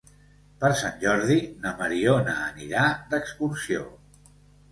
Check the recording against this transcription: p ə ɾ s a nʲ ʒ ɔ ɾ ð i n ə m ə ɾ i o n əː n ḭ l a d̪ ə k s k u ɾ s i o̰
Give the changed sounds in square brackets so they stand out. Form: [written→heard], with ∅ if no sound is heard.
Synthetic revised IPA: p ə ɾ s a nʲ ʒ ɔ ɾ ð i n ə m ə ɾ i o n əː n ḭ [l→ɾ] a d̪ ə k s k u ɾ s i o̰